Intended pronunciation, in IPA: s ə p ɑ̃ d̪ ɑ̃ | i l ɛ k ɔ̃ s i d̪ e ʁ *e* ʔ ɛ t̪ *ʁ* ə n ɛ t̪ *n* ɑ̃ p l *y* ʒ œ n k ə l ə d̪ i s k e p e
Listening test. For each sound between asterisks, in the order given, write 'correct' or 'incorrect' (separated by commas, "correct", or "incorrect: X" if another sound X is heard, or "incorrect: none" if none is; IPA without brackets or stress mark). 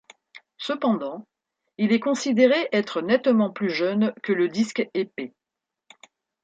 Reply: correct, incorrect: χ, incorrect: m, correct